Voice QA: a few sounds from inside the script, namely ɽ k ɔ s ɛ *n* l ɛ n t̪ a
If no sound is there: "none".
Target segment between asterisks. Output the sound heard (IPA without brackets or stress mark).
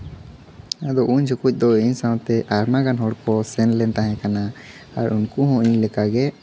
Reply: n